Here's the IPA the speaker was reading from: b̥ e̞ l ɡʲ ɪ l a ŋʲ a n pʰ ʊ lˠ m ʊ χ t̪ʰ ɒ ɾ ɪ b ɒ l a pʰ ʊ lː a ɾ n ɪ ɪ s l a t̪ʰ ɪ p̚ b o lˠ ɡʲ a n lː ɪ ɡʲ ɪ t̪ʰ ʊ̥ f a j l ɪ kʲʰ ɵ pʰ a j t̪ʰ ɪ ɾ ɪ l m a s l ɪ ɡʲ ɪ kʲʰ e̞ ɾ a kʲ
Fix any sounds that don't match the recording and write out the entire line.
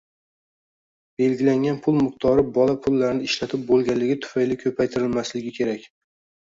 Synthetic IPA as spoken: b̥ e̞ l ɡʲ ɪ l a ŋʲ a n pʰ ʊ lˠ m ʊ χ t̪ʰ ɒ ɾ ɪ b ɒ l a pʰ ʊ lː a ɾ n ɪ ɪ ʃ l a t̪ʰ ɪ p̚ b o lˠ ɡʲ a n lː ɪ ɡʲ ɪ t̪ʰ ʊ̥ f a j l ɪ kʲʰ ɵ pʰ a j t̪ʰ ɪ ɾ ɪ l m a s l ɪ ɡʲ ɪ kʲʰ e̞ ɾ a kʲ